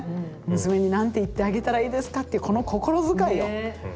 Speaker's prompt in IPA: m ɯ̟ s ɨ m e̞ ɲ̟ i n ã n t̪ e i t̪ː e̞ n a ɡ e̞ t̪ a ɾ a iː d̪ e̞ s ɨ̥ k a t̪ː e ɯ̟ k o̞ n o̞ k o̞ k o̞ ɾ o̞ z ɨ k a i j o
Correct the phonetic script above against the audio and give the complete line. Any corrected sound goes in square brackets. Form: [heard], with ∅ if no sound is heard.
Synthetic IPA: m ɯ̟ s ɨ m e̞ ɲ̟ i n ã n t̪ e i t̪ː e̞ [∅] a ɡ e̞ t̪ a ɾ a iː d̪ e̞ s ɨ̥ k a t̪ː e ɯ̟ k o̞ n o̞ k o̞ k o̞ ɾ o̞ z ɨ k a i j o